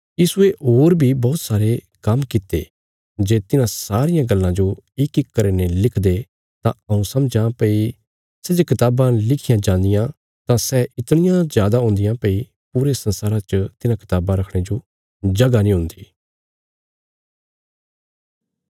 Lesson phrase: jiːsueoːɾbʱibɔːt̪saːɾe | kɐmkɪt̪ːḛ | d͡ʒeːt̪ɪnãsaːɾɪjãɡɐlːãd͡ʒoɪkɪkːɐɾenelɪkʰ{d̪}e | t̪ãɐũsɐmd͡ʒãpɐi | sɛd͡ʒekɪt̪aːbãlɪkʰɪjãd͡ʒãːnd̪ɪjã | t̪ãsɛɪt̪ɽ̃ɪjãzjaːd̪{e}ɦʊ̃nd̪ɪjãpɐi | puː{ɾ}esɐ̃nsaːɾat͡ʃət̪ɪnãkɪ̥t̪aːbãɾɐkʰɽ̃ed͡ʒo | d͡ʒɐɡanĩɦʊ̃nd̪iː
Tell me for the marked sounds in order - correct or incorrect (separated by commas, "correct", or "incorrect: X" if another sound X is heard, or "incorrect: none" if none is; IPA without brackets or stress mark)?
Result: correct, incorrect: a, correct